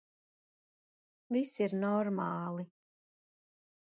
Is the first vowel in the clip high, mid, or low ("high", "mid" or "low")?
high